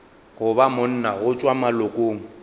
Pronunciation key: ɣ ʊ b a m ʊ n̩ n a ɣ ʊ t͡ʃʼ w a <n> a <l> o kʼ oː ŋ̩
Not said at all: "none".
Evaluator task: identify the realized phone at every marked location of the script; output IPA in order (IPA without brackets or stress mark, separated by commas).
m, l